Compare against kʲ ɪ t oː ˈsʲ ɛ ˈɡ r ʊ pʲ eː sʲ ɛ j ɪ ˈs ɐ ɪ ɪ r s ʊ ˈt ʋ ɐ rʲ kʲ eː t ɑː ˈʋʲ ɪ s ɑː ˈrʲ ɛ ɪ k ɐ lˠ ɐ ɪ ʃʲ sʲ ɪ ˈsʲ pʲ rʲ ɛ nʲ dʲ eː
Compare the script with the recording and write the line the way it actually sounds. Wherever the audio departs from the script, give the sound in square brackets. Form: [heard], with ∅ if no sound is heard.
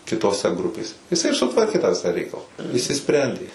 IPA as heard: kʲ ɪ t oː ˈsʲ ɛ ˈɡ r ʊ pʲ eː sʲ ɛ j ɪ ˈs ɐ ɪ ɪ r s ʊ ˈt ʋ ɐ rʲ kʲ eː t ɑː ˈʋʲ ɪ s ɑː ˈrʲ ɛ ɪ k ɐ lˠ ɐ ɪ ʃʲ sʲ ɪ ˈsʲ pʲ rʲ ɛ nʲ dʲ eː